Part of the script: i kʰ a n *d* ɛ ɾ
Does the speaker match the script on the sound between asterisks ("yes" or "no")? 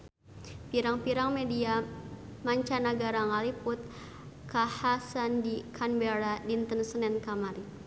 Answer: no